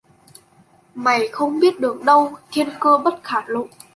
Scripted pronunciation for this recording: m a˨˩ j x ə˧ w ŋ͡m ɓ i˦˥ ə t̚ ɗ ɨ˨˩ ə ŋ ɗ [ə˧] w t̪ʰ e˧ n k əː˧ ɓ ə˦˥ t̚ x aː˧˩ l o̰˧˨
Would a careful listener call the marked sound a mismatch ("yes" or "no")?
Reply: no